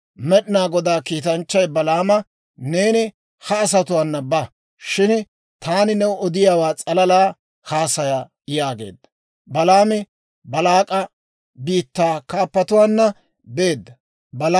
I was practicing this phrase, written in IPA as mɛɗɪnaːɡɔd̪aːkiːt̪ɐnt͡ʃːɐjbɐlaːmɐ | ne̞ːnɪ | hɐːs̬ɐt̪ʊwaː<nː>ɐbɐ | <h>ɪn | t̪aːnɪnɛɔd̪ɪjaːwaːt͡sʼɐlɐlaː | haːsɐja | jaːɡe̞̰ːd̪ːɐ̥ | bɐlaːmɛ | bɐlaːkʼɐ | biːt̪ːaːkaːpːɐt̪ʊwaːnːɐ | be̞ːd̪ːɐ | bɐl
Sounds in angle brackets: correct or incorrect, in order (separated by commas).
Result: correct, incorrect